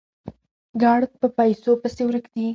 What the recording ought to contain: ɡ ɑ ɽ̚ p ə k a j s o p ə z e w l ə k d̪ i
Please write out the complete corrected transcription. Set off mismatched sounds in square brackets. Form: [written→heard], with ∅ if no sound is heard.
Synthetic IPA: ɡ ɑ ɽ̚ p ə [k→p] a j s o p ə [z→s] e w [l→ɾ] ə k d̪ i

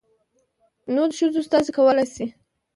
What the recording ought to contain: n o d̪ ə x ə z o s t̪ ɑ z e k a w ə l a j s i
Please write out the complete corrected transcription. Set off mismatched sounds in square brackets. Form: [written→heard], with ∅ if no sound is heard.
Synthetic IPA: n o d̪ ə [x→ʃ] ə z o s t̪ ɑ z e k a w ə l a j s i

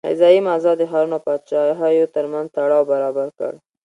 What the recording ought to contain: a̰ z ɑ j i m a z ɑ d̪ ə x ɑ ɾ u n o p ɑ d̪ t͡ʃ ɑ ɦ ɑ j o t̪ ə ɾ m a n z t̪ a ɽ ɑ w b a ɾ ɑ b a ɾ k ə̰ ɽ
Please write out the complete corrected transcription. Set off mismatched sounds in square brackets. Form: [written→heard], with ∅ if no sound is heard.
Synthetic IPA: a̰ z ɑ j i m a z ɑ d̪ ə x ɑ ɾ u n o p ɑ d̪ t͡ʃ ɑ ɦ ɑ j o t̪ ə ɾ m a n z t̪ a ɽ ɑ w b a ɾ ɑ b a ɾ k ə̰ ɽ

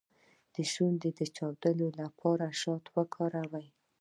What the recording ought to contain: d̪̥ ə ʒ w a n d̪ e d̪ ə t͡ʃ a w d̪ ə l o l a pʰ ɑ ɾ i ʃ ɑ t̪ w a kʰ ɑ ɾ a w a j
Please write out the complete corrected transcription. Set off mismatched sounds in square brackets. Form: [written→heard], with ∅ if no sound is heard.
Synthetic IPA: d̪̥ ə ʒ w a n d̪ e d̪ ə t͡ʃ [a→ɑ] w d̪ ə l o l a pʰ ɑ ɾ [i→a] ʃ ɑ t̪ w [a→ə] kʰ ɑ ɾ a w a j

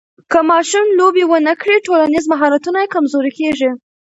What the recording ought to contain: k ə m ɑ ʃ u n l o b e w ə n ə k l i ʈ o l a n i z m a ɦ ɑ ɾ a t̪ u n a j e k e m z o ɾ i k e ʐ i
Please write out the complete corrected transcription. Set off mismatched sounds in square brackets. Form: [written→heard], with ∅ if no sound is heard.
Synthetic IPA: k ə m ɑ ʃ u [n→m] l o b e w ə n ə k [l→ɽ] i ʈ o l a n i z m a ɦ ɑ ɾ a t̪ u n a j e k [e→a] m z o ɾ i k e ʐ i

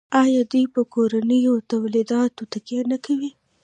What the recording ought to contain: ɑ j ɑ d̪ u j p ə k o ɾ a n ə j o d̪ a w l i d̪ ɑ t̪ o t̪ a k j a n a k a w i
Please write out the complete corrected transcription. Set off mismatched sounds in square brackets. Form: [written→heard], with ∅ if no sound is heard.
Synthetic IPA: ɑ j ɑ d̪ u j p ə k o ɾ a n ə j o [d̪→t̪] a w l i d̪ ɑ t̪ o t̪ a k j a n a k a w i

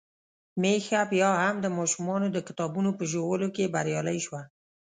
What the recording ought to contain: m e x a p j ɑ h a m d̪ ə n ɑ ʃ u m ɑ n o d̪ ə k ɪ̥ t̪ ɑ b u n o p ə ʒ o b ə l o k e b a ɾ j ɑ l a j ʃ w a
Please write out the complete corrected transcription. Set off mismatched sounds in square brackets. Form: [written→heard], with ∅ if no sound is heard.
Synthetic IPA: m e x a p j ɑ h a m d̪ ə [n→m] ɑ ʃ u m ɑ n o d̪ ə k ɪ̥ t̪ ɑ b u n o p ə ʒ o [b→w] ə l o k e b a ɾ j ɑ l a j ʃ w a

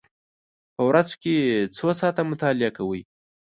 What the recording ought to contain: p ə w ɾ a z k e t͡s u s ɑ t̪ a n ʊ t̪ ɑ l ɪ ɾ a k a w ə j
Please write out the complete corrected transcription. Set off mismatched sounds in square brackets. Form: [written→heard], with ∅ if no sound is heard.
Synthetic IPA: p ə w ɾ a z k e t͡s [u→o] s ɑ t̪ a [n→m] ʊ t̪ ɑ l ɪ [ɾ→∅] a k a w ə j

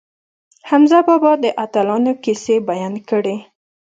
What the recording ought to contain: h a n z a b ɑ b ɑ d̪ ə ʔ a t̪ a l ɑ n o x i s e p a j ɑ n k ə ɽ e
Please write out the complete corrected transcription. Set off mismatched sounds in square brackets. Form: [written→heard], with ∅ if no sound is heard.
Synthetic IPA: h a [n→m] z a b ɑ b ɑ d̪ ə ʔ a t̪ a l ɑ n o [x→k] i s e [p→b] a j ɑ n k ə ɽ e

